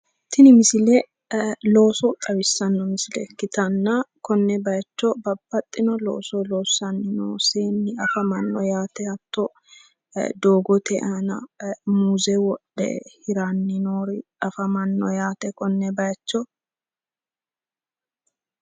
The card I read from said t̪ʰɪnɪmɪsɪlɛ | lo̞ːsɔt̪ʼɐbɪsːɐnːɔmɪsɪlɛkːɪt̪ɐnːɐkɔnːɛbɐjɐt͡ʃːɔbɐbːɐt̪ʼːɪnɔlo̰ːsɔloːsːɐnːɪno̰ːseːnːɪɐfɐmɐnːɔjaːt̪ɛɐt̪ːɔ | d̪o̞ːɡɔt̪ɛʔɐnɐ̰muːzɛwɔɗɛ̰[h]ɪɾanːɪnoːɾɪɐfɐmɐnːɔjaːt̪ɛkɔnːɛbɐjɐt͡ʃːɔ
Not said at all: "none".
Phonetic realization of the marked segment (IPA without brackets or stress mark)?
h